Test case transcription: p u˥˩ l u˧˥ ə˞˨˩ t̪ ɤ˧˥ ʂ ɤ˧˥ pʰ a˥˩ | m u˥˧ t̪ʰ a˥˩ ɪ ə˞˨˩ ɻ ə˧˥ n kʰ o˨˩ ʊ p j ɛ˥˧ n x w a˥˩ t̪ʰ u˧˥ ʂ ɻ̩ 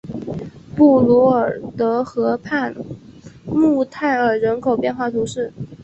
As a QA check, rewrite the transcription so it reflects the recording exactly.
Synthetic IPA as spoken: p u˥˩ l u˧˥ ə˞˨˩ t̪ ɤ˧˥ x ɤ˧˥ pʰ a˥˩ | m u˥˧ t̪ʰ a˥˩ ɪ ə˞˨˩ ɻ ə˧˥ n kʰ o˨˩ ʊ p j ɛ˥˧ n x w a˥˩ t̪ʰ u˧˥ ʂ ɻ̩